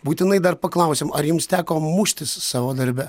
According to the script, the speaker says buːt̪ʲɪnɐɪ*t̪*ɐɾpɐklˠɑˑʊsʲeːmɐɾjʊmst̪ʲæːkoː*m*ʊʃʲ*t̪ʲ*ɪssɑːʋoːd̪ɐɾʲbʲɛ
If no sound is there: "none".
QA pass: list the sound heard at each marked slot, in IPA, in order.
d̪, m, t̪ʲ

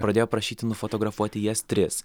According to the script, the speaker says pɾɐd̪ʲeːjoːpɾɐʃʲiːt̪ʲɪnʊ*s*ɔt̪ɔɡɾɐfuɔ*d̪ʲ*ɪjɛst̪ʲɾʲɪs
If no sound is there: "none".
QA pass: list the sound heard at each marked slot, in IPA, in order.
f, t̪ʲ

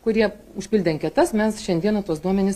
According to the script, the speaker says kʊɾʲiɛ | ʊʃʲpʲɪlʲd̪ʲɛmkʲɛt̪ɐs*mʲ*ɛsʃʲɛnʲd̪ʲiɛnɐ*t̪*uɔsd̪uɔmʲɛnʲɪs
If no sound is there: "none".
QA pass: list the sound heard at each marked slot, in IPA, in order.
mʲ, t̪

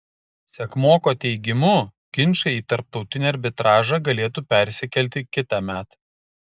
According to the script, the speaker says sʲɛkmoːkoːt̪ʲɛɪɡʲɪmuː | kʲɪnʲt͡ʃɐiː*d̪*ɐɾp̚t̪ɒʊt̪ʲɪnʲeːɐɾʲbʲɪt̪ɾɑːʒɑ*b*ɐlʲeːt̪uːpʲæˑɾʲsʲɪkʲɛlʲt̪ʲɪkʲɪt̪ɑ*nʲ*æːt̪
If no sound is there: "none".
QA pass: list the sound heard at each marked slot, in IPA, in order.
t̪, ɡ, mʲ

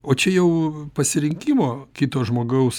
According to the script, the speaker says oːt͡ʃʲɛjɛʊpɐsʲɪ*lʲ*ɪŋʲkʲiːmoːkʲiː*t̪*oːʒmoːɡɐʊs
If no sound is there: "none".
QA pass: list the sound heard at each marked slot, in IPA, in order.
ɾʲ, t̪

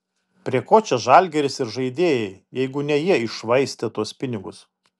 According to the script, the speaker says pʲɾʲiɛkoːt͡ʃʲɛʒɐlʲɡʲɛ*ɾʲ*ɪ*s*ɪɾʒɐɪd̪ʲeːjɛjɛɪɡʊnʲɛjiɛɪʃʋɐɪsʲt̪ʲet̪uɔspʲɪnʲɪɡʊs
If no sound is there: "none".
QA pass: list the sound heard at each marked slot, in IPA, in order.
ɾʲ, s

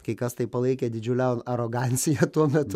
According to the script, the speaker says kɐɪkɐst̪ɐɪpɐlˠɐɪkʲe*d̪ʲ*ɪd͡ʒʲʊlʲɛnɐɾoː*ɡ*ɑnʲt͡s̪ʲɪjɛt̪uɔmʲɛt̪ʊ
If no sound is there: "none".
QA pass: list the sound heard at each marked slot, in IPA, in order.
d̪ʲ, ɡ

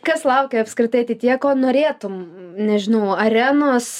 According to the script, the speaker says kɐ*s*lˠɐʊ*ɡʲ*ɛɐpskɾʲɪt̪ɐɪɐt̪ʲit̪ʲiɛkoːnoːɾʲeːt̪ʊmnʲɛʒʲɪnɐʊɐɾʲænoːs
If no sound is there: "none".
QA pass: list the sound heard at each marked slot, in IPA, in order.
s, kʲ

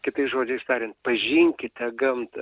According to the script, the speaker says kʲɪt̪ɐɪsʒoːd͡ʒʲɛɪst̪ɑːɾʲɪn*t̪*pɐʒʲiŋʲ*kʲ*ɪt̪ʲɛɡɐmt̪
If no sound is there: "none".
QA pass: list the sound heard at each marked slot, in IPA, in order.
t̪, kʲ

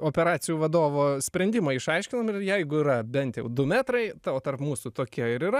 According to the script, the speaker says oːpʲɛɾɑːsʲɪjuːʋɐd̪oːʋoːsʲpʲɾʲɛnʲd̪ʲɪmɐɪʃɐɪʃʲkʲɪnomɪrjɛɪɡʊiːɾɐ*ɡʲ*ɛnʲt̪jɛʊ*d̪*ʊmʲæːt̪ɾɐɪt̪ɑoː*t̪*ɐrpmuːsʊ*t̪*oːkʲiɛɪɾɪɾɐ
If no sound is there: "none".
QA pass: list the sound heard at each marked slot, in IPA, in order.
bʲ, d̪, t̪, t̪

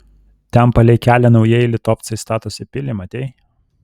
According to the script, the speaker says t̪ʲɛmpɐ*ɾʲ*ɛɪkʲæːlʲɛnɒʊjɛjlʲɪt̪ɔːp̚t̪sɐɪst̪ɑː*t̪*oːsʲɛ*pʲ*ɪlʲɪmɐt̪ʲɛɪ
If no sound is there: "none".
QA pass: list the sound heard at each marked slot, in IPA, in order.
lʲ, t̪, pʲ

